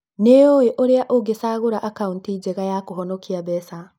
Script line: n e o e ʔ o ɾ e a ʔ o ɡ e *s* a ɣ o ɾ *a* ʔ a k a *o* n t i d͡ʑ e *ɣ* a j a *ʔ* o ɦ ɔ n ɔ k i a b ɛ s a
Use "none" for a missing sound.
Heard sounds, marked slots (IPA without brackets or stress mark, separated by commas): s, a, u, ɣ, k